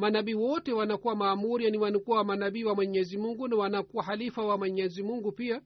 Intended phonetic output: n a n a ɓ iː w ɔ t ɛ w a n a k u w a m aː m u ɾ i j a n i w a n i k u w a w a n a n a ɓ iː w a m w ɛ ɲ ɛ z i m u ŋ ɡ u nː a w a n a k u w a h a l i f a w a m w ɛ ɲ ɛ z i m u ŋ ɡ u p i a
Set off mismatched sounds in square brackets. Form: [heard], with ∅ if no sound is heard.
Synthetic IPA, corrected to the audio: [m] a n a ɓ iː w ɔ t ɛ w a n a k u w a m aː m u ɾ i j a n i w a n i k u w a w a [m] a n a ɓ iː w a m w ɛ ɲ ɛ z i m u ŋ ɡ u [n] a w a n a k u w a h a l i f a w a m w ɛ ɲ ɛ z i m u ŋ ɡ u p i a